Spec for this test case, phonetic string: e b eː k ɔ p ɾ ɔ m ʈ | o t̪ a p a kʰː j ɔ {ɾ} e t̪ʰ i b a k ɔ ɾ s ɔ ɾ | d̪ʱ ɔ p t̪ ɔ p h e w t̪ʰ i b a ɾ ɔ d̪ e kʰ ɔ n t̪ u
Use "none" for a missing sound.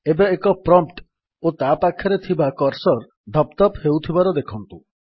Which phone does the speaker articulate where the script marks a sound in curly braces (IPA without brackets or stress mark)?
ɾ